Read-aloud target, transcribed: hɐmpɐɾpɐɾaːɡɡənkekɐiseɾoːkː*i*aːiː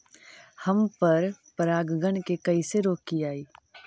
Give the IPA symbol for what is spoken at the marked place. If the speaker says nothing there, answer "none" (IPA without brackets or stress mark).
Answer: i